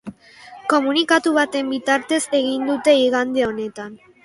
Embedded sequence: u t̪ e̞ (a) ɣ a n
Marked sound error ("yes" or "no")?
yes